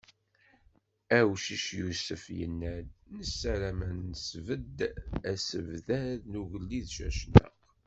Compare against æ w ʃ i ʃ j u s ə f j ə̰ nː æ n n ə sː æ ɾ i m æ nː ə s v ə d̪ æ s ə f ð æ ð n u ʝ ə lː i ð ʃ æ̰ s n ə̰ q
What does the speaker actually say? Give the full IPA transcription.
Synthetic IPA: æ w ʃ i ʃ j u s ə f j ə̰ nː æ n n ə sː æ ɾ æ m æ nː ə s v ə d̪ æ s ə v ð æ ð n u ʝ ə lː i ð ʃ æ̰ ʃ n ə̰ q